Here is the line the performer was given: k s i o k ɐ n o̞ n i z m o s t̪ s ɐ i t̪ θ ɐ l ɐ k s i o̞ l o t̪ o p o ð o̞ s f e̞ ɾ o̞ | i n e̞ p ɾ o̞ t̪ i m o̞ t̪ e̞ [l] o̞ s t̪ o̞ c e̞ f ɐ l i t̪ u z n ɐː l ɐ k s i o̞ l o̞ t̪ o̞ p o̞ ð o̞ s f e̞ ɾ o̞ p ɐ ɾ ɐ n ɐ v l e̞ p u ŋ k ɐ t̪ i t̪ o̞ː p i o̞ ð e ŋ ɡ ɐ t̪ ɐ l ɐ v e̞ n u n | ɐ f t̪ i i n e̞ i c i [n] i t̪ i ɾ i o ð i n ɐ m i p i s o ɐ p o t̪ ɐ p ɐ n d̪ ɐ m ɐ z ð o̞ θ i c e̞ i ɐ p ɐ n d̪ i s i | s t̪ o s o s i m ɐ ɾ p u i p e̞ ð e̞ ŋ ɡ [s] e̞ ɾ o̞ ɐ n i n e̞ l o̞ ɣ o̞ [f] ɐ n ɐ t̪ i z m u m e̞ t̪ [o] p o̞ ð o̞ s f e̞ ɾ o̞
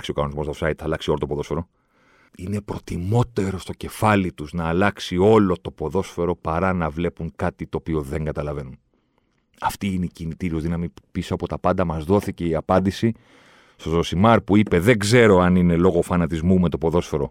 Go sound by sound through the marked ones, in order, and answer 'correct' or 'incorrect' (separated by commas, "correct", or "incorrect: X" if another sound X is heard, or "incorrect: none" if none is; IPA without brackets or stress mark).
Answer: incorrect: ɾ, correct, incorrect: z, correct, correct